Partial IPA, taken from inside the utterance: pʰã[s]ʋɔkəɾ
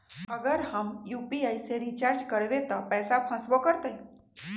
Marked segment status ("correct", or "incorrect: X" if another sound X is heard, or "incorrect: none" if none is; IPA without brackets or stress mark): correct